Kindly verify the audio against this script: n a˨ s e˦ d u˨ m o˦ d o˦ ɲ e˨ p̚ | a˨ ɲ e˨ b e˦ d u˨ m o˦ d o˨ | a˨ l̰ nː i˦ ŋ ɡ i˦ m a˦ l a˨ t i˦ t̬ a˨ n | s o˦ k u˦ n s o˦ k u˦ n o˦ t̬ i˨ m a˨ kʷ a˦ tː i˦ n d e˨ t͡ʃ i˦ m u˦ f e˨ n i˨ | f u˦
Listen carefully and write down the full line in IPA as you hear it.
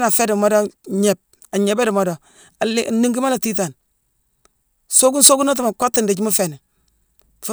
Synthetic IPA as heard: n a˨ f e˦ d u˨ m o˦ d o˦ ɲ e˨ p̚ | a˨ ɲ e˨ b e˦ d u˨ m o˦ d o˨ | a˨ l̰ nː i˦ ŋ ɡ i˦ m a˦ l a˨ t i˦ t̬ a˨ n | s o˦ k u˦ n s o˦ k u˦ n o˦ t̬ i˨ m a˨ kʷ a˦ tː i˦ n d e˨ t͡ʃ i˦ m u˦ f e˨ n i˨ | f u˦

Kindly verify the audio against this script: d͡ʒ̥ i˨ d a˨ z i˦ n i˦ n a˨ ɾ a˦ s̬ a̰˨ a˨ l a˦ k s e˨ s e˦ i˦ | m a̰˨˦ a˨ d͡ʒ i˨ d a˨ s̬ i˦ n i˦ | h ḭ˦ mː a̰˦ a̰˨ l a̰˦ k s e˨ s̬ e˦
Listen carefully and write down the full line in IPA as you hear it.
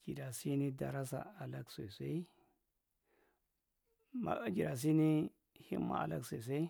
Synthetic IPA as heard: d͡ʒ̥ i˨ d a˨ s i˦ n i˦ d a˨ ɾ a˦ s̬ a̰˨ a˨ l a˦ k s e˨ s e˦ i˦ | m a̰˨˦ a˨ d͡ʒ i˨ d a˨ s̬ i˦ n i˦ | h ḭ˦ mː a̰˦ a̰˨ l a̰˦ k s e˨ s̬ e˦

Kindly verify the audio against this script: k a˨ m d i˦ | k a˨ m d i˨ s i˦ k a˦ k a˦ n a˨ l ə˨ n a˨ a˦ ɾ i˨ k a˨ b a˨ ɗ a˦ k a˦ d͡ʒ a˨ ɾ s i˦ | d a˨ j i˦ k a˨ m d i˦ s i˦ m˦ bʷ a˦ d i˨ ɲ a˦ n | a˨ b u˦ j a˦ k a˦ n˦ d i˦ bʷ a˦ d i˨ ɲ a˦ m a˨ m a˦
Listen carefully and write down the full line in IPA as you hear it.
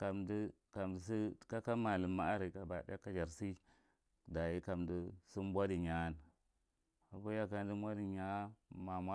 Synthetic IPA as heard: k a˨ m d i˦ | k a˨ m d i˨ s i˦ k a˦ k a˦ m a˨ l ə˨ m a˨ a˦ ɾ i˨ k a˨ b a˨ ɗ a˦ k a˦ d͡ʒ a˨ ɾ s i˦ | d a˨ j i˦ k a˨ m d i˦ s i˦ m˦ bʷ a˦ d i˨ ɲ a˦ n | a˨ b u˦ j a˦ k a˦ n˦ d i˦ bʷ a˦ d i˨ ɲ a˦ m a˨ m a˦

